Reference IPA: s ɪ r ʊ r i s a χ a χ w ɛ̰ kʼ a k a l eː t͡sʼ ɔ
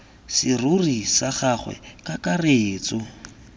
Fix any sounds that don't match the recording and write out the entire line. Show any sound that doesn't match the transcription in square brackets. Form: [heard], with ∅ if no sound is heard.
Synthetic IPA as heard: s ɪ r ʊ r i s a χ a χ w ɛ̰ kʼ a k a [r] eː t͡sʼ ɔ